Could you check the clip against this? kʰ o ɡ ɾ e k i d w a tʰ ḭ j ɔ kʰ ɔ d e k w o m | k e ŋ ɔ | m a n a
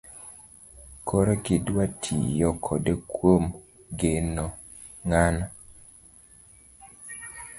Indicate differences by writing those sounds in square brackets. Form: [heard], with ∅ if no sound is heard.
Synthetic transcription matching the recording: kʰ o [∅] ɾ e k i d w a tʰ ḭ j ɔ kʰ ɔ d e k w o m | [ɡ] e [n] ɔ | [ŋ] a n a